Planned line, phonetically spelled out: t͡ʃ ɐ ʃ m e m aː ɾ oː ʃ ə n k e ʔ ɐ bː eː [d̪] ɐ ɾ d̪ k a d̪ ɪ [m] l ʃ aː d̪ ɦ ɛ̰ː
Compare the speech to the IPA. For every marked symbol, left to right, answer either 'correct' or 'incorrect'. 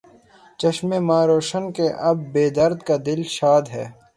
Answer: correct, incorrect

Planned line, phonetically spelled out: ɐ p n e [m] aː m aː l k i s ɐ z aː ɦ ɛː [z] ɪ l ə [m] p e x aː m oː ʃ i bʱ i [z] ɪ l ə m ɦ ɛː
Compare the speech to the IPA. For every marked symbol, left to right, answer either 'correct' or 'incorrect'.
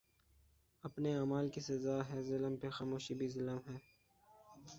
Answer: incorrect, correct, correct, correct

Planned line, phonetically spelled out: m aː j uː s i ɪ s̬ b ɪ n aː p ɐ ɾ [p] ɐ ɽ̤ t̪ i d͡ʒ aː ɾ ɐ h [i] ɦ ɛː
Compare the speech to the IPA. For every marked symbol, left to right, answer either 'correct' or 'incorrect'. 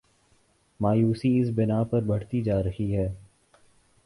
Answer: incorrect, correct

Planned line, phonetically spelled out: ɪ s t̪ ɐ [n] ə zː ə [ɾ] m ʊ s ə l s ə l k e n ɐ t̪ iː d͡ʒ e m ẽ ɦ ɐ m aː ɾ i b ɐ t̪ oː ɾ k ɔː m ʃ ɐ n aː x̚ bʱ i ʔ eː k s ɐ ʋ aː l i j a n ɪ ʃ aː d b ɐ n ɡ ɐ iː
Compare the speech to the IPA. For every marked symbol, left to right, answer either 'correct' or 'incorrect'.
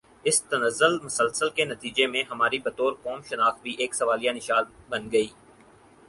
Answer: correct, incorrect

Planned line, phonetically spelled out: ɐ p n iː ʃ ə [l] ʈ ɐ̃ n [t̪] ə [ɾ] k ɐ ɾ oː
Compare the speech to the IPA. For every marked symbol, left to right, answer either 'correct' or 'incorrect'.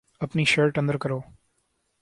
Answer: incorrect, incorrect, correct

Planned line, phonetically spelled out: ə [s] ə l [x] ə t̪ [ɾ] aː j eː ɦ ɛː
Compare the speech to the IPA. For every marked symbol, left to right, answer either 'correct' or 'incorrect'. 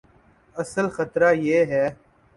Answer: correct, correct, correct

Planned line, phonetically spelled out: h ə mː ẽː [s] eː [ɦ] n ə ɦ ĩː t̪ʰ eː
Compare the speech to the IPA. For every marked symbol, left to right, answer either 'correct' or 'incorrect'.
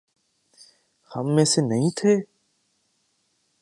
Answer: correct, incorrect

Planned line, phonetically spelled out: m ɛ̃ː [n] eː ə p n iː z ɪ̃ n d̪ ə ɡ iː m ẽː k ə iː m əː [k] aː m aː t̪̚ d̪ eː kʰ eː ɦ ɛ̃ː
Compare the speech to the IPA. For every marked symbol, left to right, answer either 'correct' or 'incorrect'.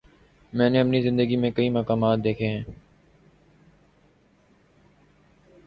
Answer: correct, correct

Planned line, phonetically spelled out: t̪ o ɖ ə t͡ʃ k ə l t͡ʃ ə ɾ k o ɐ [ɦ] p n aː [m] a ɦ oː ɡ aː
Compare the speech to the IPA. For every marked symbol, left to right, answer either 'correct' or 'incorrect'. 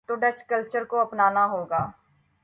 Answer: incorrect, incorrect

